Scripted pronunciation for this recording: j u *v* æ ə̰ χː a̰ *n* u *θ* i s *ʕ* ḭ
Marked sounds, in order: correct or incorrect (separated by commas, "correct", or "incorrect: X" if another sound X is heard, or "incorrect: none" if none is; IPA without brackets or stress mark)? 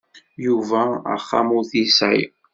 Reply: correct, incorrect: m, correct, correct